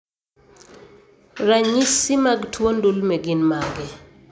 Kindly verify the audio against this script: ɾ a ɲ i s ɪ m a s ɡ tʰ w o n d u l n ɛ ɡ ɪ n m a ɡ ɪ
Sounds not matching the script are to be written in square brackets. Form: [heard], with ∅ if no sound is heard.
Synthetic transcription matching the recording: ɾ a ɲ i s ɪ m a [∅] ɡ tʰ w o n d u l [m] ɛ ɡ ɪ n m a ɡ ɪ